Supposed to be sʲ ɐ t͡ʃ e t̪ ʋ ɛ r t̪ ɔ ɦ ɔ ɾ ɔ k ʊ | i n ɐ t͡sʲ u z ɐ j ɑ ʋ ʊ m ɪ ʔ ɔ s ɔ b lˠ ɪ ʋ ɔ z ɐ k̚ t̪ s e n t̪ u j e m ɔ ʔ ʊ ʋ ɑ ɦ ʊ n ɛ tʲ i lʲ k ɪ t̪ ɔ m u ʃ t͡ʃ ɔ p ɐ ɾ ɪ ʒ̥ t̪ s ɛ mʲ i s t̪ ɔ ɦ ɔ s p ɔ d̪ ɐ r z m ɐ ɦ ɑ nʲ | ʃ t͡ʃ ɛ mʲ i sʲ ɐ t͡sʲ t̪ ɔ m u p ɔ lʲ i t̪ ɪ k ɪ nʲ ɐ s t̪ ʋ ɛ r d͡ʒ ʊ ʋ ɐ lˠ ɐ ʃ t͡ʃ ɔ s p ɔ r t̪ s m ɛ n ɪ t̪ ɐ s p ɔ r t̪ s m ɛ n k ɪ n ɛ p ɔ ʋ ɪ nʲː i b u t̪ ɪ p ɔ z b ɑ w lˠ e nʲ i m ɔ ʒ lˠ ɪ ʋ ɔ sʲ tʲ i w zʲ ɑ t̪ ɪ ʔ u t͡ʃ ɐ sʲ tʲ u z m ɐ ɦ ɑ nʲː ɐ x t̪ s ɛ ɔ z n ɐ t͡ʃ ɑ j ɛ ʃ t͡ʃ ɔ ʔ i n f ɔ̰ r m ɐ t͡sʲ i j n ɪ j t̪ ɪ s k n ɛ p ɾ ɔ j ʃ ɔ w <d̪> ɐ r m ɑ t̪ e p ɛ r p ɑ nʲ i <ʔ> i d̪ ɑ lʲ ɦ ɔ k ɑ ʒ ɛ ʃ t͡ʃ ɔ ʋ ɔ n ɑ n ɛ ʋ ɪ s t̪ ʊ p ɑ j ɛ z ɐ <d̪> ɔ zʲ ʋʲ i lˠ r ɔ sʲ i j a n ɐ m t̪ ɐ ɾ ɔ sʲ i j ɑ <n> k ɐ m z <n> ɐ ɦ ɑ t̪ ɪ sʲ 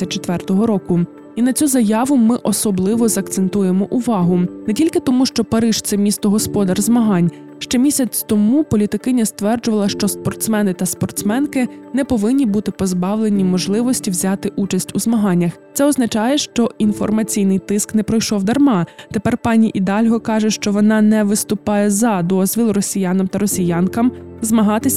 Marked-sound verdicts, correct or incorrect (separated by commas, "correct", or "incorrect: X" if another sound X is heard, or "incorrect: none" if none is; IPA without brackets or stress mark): correct, correct, correct, correct, incorrect: m